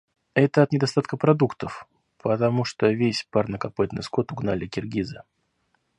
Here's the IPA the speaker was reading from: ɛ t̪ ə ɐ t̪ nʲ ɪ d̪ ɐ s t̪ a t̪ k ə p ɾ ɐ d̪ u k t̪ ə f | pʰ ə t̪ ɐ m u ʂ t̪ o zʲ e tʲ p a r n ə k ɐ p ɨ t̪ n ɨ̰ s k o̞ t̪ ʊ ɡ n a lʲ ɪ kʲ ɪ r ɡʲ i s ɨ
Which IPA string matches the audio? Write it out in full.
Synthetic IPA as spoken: ɛ t̪ ə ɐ t̪ nʲ ɪ d̪ ɐ s t̪ a t̪ k ə p ɾ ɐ d̪ u k t̪ ə f | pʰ ə t̪ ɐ m u ʂ t̪ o vʲ e sʲ p a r n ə k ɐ p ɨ t̪ n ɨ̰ s k o̞ t̪ ʊ ɡ n a lʲ ɪ kʲ ɪ r ɡʲ i z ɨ